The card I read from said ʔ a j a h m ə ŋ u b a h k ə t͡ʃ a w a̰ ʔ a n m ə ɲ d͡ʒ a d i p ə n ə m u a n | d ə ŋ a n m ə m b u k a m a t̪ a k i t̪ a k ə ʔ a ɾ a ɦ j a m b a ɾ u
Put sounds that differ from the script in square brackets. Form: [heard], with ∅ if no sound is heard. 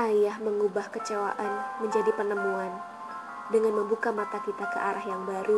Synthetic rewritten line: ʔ a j a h m ə ŋ u b a h k ə t͡ʃ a w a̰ ʔ a n m ə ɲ d͡ʒ a d i p ə n ə m u a n | d ə ŋ a n m ə m b u k a m a t̪ a k i t̪ a k ə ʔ a ɾ a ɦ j a [ŋ] b a ɾ u